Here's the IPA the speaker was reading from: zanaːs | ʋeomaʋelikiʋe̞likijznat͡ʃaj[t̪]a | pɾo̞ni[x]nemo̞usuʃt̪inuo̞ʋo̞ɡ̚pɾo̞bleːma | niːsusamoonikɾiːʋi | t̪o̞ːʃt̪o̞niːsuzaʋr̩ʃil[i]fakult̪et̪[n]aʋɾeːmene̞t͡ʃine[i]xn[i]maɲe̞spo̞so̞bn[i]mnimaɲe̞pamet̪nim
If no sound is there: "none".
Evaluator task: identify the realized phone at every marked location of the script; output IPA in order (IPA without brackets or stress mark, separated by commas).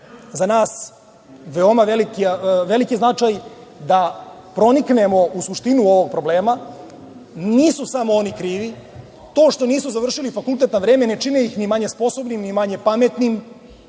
d̪, k, i, n, i, i, i